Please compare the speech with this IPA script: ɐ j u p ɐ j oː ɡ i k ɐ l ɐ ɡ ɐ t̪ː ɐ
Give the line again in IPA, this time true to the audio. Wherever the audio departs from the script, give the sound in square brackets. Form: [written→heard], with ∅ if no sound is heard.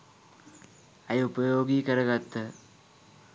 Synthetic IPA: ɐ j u p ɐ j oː ɡ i k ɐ [l→ɾ] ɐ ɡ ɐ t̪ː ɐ